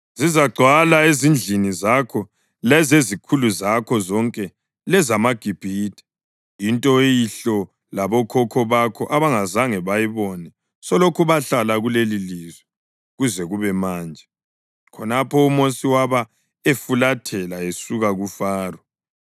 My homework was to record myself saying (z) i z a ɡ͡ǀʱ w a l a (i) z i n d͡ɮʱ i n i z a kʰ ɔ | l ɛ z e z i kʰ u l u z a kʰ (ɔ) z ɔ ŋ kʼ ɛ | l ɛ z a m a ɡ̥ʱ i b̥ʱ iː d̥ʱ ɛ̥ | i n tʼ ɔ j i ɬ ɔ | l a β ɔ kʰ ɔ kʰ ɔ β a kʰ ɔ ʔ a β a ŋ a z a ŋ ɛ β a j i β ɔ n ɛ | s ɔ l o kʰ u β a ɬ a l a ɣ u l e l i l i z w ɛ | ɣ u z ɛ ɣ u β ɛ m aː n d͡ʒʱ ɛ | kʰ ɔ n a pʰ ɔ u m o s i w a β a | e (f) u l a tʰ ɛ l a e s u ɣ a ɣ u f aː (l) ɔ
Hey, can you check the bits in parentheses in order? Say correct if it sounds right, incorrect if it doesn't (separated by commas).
correct, incorrect, correct, correct, incorrect